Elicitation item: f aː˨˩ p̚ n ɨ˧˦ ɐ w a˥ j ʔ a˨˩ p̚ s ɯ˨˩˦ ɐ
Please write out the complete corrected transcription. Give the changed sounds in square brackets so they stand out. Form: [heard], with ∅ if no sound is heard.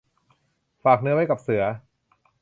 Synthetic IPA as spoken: f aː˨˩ [k̚] n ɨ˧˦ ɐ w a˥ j [k] a˨˩ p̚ s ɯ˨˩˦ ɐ